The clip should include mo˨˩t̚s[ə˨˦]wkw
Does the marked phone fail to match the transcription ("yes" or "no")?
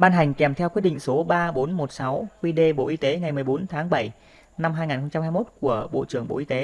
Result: yes